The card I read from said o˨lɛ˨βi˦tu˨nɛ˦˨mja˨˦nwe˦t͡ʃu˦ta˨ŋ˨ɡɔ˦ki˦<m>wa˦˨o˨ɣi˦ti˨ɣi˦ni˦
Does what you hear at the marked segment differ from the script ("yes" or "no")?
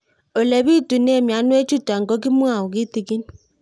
no